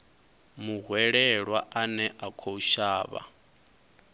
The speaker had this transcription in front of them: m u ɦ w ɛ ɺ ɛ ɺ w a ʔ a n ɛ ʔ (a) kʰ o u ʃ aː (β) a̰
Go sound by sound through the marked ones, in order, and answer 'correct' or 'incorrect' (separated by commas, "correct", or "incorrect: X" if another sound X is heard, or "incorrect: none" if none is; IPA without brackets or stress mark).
correct, correct